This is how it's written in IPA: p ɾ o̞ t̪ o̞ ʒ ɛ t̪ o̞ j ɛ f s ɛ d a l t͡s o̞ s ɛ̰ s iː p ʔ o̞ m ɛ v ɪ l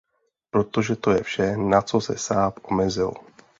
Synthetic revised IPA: p ɾ o̞ t̪ o̞ ʒ ɛ t̪ o̞ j ɛ f ʃ ɛ n a t͡s o̞ s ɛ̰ s aː p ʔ o̞ m ɛ z ɪ l